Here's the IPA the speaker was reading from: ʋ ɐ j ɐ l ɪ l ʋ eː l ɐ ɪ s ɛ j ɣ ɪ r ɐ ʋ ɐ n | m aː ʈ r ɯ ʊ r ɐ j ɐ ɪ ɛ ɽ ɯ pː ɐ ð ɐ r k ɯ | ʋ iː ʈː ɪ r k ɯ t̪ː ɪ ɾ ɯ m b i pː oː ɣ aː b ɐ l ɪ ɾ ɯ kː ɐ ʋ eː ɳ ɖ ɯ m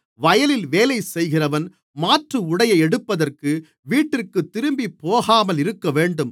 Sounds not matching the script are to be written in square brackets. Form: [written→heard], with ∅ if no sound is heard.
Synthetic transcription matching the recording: ʋ ɐ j ɐ l ɪ l ʋ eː l ɐ ɪ s ɛ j ɣ ɪ r ɐ ʋ ɐ n | m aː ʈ r ɯ ʊ [r→ɽ] ɐ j ɐ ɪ ɛ ɽ ɯ pː ɐ ð ɐ r k ɯ | ʋ iː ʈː ɪ r k ɯ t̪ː ɪ ɾ ɯ m b i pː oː ɣ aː [b→m] ɐ l ɪ ɾ ɯ kː ɐ ʋ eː ɳ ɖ ɯ m